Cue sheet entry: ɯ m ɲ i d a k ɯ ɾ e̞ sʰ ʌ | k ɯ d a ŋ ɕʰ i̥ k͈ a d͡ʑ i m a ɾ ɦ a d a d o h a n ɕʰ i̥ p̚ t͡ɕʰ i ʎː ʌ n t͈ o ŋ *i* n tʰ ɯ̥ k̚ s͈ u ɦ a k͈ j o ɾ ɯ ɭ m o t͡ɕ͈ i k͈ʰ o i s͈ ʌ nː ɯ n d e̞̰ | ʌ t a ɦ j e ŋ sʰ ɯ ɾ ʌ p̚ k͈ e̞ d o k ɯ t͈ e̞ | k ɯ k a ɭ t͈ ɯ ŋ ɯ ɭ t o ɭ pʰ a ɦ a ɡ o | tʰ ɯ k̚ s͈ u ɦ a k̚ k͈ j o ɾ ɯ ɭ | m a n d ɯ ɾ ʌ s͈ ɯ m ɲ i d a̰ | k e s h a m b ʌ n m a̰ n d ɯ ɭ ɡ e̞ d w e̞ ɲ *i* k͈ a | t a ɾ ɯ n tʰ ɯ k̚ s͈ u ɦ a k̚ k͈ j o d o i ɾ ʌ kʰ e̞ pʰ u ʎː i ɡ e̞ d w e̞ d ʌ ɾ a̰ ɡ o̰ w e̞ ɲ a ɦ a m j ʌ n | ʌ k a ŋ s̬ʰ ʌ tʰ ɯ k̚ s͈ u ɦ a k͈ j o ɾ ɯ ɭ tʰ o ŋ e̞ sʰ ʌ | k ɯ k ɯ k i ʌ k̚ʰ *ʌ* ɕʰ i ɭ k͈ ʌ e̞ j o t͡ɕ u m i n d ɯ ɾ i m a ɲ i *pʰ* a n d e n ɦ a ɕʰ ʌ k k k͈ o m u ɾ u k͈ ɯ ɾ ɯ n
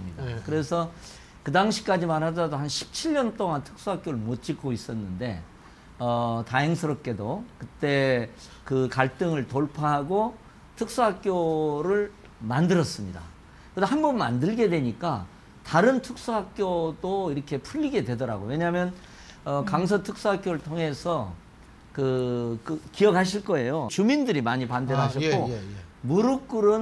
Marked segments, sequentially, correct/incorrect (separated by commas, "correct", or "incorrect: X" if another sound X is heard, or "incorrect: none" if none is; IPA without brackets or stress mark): incorrect: a, correct, incorrect: a, incorrect: p